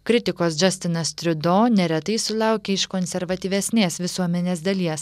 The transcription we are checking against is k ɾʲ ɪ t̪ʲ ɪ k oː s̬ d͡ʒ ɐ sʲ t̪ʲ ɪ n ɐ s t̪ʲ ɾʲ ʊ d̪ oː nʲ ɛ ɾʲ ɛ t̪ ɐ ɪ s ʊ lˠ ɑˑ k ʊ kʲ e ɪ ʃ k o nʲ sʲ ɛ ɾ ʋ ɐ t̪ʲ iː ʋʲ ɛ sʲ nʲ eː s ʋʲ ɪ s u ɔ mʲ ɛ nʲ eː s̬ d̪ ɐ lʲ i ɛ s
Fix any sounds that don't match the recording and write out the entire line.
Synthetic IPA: k ɾʲ ɪ t̪ʲ ɪ k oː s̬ d͡ʒ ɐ sʲ t̪ʲ ɪ n ɐ s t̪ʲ ɾʲ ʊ d̪ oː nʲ ɛ ɾʲ ɛ t̪ ɐ ɪ s ʊ lˠ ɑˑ ʊ kʲ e ɪ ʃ k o nʲ sʲ ɛ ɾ ʋ ɐ t̪ʲ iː ʋʲ ɛ sʲ nʲ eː s ʋʲ ɪ s u ɔ mʲ ɛ nʲ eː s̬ d̪ ɐ lʲ i ɛ s